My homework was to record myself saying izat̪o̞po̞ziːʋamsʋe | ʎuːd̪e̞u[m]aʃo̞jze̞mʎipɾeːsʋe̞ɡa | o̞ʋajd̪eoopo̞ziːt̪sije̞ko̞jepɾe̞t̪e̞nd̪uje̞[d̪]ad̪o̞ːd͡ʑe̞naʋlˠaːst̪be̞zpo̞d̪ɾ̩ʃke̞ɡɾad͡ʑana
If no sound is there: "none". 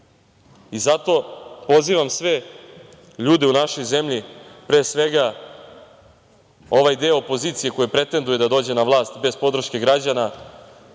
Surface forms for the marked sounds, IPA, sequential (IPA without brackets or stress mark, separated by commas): n, d̪